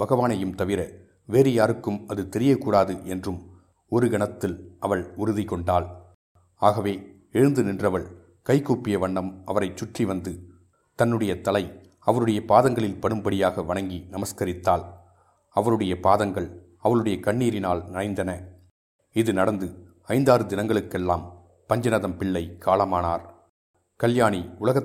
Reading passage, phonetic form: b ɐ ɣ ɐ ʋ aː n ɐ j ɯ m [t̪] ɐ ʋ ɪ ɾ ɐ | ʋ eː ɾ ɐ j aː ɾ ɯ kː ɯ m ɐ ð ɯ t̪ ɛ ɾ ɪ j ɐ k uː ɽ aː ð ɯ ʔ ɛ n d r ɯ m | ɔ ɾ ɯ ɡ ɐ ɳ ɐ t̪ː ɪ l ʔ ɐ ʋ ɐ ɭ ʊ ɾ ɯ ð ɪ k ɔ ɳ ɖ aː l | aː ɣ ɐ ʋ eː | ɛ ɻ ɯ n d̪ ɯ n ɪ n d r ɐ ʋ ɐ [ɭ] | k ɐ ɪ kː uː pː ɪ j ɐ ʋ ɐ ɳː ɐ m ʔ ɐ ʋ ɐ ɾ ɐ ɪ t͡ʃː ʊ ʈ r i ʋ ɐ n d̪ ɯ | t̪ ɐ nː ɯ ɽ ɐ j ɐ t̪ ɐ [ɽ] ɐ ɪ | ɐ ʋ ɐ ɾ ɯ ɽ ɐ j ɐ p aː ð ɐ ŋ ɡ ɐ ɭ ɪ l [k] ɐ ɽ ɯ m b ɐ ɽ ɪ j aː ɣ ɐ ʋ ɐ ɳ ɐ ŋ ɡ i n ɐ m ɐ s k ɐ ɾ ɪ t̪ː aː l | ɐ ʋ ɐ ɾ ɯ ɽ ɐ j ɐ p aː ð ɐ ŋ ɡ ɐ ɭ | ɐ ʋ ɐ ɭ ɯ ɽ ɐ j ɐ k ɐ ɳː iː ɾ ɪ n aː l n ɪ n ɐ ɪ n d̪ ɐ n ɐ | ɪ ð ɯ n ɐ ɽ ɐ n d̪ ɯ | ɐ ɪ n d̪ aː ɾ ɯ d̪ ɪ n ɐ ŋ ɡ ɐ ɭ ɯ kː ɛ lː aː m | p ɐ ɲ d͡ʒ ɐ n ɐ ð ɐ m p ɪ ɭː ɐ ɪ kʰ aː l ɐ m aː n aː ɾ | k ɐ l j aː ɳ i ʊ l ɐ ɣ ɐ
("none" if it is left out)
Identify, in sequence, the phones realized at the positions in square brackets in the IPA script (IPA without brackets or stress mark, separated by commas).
t̪, ɭ, l, p